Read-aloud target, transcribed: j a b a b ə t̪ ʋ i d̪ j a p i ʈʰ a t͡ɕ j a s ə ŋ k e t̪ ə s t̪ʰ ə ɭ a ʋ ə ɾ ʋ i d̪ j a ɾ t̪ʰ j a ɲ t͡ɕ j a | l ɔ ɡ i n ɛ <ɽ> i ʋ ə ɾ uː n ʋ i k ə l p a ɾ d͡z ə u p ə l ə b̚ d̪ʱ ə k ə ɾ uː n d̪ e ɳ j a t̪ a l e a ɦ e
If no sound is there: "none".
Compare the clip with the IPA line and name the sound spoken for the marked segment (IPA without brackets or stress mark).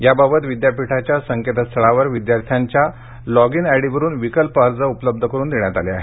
ɽ